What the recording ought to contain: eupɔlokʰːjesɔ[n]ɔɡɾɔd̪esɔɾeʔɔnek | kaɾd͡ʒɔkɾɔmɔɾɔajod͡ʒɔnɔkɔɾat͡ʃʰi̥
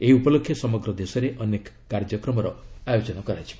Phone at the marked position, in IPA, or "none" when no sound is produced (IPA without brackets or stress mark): m